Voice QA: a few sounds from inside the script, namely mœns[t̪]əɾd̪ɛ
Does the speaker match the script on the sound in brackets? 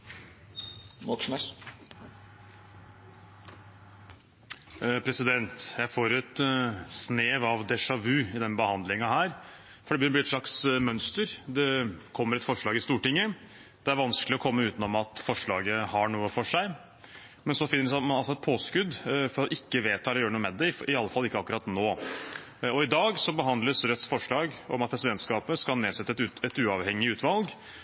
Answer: yes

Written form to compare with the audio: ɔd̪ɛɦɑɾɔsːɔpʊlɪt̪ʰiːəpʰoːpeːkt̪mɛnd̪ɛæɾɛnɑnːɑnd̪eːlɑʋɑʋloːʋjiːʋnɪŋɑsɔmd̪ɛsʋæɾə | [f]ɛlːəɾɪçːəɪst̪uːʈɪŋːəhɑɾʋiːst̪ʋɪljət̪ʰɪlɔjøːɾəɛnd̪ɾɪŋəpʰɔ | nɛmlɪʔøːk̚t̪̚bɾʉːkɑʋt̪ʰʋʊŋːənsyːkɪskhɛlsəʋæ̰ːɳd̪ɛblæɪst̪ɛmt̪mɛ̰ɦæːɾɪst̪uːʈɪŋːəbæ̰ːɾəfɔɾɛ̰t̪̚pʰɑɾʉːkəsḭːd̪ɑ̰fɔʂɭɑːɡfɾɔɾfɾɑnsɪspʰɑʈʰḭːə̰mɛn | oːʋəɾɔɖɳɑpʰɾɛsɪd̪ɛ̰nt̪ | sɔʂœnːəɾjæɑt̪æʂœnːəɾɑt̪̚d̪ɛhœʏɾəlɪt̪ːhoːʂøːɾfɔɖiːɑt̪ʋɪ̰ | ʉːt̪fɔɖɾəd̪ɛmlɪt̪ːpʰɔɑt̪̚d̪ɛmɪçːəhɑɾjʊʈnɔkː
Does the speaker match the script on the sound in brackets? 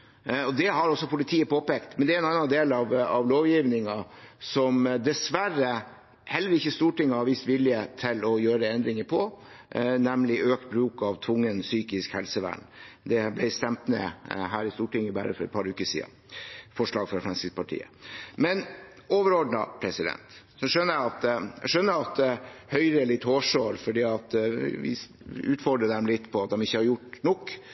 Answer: no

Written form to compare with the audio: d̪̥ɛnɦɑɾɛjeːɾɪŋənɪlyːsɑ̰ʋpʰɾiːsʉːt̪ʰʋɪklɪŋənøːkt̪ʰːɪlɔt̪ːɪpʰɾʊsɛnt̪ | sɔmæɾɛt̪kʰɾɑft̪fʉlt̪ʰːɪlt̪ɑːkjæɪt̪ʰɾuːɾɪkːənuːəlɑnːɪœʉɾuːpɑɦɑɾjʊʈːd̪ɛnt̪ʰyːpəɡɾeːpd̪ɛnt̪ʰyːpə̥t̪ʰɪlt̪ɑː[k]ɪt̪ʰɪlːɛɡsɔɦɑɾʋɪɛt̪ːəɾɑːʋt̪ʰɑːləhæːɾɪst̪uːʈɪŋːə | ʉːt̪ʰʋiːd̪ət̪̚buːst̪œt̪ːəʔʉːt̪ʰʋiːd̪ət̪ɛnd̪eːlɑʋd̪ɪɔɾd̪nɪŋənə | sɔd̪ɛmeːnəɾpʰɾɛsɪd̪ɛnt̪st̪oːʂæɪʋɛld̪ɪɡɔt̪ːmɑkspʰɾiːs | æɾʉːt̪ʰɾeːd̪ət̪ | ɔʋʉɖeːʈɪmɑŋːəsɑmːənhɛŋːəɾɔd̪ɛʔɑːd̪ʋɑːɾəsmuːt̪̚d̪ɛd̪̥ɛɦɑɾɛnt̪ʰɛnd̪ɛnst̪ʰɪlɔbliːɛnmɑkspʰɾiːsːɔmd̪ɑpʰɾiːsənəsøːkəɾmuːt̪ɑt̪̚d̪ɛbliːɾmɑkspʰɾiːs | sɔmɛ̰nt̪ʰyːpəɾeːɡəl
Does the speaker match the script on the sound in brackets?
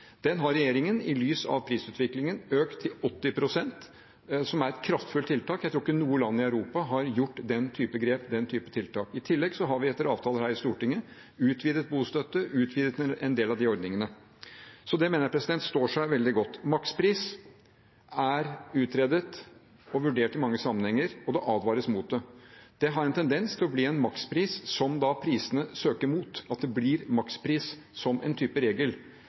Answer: yes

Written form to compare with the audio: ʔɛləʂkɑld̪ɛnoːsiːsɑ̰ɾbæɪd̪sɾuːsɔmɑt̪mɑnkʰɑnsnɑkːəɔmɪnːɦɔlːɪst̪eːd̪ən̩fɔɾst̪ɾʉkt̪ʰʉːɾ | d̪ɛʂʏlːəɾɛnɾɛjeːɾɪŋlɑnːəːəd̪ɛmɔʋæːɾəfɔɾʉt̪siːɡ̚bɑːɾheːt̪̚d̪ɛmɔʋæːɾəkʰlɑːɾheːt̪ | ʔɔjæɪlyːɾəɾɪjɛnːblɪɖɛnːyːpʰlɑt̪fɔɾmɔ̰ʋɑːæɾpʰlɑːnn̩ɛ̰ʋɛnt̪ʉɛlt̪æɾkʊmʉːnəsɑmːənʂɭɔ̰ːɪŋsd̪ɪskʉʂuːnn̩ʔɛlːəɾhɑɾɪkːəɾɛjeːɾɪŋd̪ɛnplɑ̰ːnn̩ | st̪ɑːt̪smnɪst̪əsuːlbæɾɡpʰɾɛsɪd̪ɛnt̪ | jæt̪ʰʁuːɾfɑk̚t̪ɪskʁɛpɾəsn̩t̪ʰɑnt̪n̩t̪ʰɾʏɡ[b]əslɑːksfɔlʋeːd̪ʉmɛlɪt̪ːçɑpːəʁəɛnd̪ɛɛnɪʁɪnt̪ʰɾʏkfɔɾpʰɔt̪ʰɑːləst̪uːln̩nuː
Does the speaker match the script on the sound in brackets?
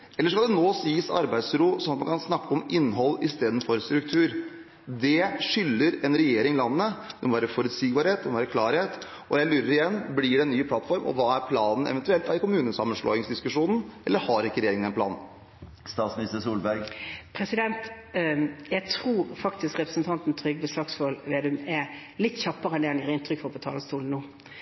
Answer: yes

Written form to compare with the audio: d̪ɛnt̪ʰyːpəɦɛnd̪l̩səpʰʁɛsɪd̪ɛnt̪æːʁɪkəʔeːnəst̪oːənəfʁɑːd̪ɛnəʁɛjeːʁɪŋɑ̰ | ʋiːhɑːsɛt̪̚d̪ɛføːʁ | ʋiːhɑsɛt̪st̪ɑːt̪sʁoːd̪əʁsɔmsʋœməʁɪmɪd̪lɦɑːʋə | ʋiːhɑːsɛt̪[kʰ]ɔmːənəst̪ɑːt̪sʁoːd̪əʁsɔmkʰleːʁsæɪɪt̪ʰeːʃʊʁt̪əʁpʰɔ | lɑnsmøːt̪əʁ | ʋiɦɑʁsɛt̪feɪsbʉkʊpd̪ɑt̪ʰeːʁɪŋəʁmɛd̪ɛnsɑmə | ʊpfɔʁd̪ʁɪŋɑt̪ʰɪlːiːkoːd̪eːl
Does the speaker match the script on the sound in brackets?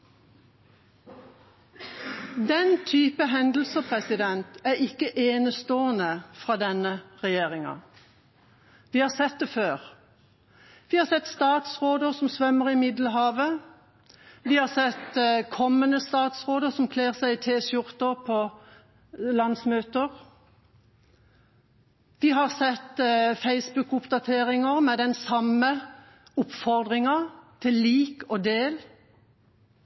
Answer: yes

